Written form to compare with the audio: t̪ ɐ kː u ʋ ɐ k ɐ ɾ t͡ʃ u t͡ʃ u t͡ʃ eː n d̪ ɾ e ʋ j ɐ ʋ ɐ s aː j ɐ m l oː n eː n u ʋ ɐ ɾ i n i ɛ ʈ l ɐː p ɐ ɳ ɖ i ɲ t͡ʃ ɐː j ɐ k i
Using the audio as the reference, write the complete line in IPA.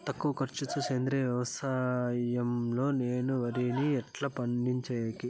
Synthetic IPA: t̪ ɐ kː u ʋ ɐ k ɐ ɾ t͡ʃ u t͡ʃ u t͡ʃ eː n d̪ ɾ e ʋ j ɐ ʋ ɐ s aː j ɐ m l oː n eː n u ʋ ɐ ɾ i n i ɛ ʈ l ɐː p ɐ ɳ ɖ i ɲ t͡ʃ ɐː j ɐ k i

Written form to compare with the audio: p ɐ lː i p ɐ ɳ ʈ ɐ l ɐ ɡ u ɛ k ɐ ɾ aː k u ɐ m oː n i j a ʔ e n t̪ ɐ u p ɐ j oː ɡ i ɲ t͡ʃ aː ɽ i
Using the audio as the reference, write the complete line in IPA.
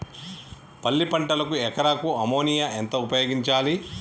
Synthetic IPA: p ɐ lː i p ɐ ɳ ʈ ɐ l ɐ k u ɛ k ɐ ɾ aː k u ɐ m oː n i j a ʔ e n t̪ ɐ u p ɐ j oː ɡ i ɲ t͡ʃ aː l i

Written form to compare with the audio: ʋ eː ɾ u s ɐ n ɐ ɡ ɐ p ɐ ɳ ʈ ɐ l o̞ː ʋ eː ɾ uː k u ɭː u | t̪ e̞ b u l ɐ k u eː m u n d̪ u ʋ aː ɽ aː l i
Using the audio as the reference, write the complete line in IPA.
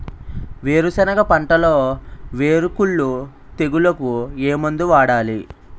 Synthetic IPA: ʋ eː ɾ u s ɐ n ɐ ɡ ɐ p ɐ ɳ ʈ ɐ l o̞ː ʋ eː ɾ u k u ɭː u | t̪ e̞ ɡ u l ɐ k u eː m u n d̪ u ʋ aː ɽ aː l i

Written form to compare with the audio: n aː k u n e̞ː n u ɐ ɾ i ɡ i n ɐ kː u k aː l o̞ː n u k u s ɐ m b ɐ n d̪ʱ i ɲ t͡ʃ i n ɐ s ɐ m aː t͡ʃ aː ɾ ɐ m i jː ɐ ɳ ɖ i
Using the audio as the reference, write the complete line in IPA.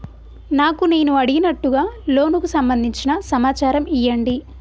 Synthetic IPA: n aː k u n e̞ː n u ɐ ɽ i ɡ i n ɐ ʈː u ɡ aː l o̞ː n u k u s ɐ m b ɐ n d̪ʱ i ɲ t͡ʃ i n ɐ s ɐ m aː t͡ʃ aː ɾ ɐ m i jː ɐ ɳ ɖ i

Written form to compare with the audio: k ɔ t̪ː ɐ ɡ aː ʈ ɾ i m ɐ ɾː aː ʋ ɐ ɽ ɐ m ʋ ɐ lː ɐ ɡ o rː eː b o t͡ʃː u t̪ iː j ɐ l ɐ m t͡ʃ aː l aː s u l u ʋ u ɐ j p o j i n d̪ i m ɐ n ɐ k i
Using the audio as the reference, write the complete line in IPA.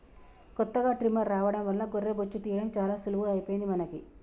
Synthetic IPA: k ɔ t̪ː ɐ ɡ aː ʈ ɾ i m ɐ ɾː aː ʋ ɐ ɽ ɐ m ʋ ɐ lː ɐ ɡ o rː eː b o t͡ʃː u t̪ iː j ɐ ɽ ɐ m t͡ʃ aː l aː s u l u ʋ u ɐ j p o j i n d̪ i m ɐ n ɐ k i

